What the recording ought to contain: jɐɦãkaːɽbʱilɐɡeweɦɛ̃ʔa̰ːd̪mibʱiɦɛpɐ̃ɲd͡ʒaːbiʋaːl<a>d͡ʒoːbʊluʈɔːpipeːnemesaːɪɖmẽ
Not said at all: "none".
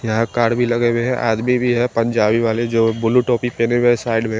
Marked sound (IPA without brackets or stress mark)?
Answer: e